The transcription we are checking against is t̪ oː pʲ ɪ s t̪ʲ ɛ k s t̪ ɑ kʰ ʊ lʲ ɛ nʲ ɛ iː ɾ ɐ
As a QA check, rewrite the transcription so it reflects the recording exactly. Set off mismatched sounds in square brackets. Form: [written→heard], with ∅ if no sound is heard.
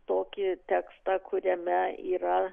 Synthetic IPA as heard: t̪ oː [pʲ→kʲ] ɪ [s→∅] t̪ʲ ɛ k s t̪ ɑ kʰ ʊ [lʲ→ɾʲ] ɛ [nʲ→mʲ] ɛ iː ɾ ɐ